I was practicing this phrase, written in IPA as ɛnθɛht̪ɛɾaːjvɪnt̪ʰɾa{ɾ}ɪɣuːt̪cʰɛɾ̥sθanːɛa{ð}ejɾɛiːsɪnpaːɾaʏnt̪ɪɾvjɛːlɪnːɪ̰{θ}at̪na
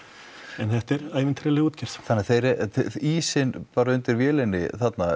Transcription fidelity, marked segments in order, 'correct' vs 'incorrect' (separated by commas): incorrect, incorrect, correct